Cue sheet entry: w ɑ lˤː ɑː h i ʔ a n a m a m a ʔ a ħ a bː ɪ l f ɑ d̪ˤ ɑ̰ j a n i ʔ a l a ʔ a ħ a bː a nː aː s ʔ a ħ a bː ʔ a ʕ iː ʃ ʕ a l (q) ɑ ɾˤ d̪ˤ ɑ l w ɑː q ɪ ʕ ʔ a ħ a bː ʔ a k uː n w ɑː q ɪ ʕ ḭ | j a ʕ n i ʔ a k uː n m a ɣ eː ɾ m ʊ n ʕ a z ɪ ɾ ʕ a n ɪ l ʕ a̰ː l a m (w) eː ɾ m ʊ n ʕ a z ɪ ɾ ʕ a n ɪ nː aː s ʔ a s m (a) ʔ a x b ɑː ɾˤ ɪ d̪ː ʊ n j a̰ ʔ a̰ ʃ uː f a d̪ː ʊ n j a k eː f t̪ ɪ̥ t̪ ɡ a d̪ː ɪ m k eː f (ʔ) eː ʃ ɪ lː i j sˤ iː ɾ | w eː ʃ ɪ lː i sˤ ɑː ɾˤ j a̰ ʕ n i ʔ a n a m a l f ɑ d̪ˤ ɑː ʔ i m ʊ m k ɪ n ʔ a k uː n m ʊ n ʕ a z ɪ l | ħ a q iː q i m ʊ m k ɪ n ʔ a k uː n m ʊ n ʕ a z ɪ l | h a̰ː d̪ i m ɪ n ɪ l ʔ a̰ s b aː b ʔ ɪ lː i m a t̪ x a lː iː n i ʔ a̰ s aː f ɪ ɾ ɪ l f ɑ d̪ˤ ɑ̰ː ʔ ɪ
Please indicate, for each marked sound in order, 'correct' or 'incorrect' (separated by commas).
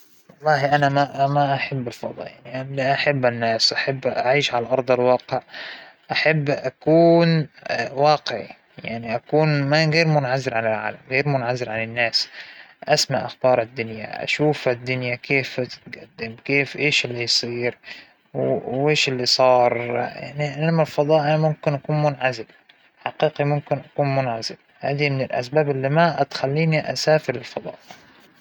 incorrect, incorrect, correct, correct